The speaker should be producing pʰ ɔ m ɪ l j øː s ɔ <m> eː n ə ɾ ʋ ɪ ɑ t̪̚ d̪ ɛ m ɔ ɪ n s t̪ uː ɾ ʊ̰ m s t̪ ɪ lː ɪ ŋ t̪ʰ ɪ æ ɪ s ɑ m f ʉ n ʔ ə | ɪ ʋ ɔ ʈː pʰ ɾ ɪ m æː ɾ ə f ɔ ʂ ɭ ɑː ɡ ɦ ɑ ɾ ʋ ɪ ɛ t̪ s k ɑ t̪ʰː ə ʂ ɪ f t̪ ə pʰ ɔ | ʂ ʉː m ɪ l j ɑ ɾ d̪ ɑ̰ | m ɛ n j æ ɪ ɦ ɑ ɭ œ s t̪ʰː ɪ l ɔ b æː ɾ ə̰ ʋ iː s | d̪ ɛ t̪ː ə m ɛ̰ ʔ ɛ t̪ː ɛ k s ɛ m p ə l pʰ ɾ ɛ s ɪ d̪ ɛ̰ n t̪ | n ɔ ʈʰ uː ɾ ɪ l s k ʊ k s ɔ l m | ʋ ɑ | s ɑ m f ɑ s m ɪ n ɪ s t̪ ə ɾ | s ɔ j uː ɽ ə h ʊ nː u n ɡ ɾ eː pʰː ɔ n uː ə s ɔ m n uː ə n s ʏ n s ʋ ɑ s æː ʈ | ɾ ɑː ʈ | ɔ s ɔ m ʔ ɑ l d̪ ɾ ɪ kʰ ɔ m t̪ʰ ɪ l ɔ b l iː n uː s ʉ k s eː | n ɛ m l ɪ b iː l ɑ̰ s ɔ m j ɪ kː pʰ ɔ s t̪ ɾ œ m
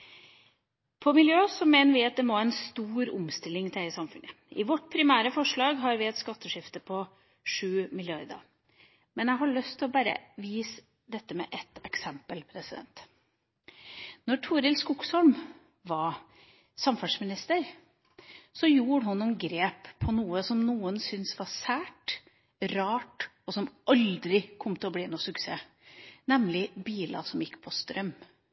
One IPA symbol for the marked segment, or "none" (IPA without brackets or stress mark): m